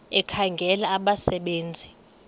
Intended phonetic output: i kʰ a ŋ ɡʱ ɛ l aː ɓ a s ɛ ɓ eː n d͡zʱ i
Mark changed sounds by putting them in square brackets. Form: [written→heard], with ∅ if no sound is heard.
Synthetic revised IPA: [i→ɛ] kʰ a ŋ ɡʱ ɛ l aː ɓ a s ɛ ɓ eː n d͡zʱ i